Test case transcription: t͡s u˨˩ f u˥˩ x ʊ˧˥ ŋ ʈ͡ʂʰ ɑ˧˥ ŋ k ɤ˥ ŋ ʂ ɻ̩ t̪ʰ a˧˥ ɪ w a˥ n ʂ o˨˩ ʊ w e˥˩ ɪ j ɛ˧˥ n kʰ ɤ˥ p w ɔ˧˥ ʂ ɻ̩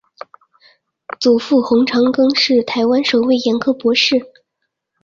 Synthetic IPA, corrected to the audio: t͡s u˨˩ f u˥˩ x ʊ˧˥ ŋ ʈ͡ʂʰ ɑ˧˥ ŋ k ɤ˥ ŋ ʂ ɻ̩ t̪ʰ a˧˥ ɪ w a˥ n ʂ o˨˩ ʊ w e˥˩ ɪ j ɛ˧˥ n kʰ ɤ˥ p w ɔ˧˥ ʂ ɻ̩